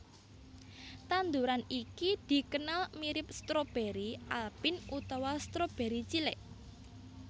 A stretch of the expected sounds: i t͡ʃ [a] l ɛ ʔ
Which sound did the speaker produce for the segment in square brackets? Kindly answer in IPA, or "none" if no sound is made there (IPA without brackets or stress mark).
i